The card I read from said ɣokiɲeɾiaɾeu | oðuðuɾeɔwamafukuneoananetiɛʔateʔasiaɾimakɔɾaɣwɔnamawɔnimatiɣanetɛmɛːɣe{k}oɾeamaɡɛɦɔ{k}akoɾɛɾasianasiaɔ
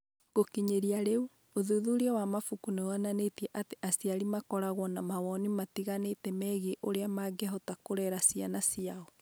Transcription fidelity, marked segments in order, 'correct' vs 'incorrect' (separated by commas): incorrect, incorrect